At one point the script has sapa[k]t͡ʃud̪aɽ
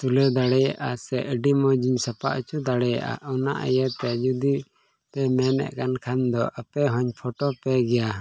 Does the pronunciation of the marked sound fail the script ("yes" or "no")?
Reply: yes